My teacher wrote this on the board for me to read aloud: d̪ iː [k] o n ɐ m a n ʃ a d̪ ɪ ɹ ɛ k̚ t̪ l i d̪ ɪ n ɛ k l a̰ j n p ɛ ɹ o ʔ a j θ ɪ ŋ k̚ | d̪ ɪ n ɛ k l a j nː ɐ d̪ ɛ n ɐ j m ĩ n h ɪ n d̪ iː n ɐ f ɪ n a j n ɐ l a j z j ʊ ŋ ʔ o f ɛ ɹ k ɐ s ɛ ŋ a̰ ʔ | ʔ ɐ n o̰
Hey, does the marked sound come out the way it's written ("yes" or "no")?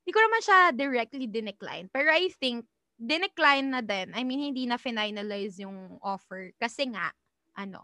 yes